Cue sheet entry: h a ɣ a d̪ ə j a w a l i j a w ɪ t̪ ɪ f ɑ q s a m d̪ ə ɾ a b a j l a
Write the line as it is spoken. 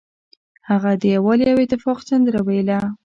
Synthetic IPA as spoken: h a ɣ a d̪ ə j a w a l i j a w ɪ t̪ ɪ f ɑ q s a n d̪ ə ɾ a w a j l a